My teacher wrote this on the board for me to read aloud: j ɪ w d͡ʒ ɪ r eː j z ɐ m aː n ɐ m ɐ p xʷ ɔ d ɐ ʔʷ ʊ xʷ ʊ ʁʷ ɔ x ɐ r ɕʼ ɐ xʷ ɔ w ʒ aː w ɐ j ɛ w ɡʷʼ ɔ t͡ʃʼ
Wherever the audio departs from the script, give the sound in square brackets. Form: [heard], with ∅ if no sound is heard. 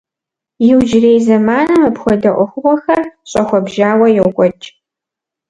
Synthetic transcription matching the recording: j ɪ w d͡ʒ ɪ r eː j z ɐ m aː n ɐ m ɐ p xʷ ɔ d ɐ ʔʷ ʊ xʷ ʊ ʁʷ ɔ x ɐ r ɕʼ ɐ xʷ ɔ [b] ʒ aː w ɐ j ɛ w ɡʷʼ ɔ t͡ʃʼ